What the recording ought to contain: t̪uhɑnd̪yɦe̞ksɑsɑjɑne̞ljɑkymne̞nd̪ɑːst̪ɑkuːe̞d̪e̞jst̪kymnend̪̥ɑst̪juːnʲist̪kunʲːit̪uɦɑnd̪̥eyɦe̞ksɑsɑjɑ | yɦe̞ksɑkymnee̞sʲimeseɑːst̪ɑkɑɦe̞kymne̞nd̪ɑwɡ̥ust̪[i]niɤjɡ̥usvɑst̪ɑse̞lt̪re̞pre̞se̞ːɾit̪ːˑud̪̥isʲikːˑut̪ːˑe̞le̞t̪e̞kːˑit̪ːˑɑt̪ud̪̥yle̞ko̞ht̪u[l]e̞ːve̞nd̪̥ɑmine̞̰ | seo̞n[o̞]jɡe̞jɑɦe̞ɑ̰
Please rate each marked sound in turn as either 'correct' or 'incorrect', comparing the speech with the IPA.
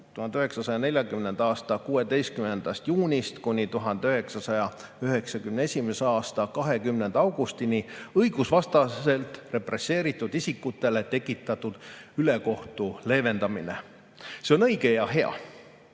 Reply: correct, correct, incorrect: ɤ̞

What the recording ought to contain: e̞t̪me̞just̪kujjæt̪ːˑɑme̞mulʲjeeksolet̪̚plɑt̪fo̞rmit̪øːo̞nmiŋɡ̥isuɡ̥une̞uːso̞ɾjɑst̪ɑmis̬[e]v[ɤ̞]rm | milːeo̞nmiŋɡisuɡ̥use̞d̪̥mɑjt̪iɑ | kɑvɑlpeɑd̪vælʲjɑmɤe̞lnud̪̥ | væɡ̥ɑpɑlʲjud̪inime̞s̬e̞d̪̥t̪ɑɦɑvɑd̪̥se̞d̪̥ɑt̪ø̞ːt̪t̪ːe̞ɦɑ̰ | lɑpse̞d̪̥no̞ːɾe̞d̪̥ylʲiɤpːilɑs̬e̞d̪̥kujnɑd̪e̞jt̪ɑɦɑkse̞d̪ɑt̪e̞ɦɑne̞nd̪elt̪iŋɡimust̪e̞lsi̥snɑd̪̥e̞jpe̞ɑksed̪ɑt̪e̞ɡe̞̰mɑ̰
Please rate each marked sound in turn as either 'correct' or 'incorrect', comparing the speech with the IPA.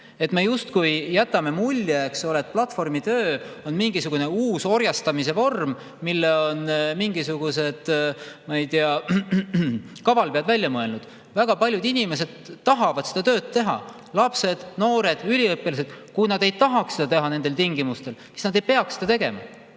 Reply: correct, incorrect: o̞

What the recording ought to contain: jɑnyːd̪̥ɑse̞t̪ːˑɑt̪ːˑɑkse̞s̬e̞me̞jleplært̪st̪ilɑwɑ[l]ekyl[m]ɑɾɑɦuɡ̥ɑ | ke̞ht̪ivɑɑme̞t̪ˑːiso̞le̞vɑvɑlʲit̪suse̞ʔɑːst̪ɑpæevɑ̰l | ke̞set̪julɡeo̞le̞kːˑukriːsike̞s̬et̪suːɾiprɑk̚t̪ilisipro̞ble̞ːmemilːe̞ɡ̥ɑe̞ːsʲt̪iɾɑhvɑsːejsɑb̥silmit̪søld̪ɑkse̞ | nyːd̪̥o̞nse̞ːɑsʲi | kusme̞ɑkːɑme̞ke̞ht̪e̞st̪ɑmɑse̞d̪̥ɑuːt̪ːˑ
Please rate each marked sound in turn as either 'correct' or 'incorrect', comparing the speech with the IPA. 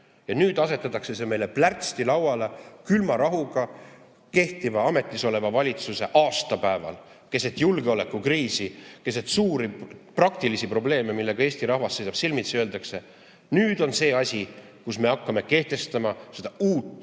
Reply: correct, correct

